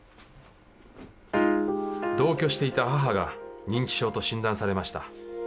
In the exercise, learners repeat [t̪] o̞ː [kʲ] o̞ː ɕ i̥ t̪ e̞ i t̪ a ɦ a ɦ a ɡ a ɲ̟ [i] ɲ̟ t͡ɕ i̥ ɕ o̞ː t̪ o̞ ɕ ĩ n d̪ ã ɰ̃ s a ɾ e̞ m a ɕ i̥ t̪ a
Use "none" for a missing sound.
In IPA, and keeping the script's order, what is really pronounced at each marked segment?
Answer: d̪, kʲ, ĩ

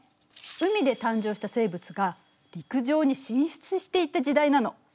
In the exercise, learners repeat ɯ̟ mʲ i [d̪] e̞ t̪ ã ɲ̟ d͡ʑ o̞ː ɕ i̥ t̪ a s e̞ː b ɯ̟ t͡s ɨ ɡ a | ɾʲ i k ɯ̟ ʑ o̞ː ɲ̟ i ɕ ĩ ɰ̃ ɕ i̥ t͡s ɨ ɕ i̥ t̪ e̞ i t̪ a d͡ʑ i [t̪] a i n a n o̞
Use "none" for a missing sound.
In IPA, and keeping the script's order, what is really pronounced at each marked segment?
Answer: d̪, d̪

